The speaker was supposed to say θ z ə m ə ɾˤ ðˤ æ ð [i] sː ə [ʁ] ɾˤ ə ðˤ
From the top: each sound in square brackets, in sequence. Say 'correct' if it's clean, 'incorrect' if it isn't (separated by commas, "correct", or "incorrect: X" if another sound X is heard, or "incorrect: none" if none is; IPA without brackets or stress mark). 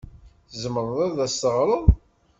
incorrect: æ, correct